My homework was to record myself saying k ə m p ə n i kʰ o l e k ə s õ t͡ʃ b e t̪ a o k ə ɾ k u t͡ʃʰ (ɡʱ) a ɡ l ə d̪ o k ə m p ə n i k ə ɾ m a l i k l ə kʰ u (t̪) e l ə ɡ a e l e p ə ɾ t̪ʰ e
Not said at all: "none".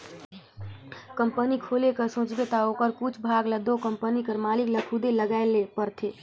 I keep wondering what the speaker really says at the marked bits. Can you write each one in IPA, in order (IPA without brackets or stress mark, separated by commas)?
bʱ, d̪